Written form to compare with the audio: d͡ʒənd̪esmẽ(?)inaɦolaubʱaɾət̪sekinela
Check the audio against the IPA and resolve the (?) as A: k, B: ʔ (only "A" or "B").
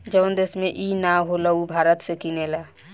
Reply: B